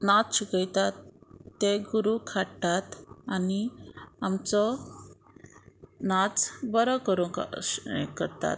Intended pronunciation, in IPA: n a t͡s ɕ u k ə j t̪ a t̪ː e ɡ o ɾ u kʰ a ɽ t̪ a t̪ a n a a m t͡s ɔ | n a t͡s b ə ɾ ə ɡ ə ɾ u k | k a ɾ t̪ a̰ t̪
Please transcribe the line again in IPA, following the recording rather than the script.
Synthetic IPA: n a t͡s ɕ u k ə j t̪ a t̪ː e ɡ u ɾ u kʰ a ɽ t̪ a t̪ a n i a m t͡s ɔ | n a t͡s b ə ɾ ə k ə ɾ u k | k ə ɾ t̪ a̰ t̪

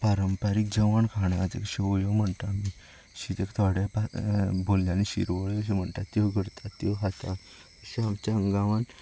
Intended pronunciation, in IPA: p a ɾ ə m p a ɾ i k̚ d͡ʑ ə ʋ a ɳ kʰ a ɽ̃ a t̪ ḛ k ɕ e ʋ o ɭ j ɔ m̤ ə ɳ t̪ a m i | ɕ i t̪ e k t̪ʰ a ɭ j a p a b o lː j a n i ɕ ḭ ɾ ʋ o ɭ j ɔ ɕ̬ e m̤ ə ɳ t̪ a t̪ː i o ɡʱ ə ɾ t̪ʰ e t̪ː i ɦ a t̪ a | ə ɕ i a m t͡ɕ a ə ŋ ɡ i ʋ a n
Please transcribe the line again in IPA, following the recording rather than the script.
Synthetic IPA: p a ɾ ə m p a ɾ i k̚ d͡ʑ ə ʋ a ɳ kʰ a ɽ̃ a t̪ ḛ k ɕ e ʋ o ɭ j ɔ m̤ ə ɳ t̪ a m i | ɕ i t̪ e k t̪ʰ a ɽ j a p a b o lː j a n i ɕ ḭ ɾ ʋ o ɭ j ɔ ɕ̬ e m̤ ə ɳ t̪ a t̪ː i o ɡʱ ə ɾ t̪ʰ a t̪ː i ɦ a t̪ a | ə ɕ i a m t͡ɕ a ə ŋ ɡ a ʋ a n

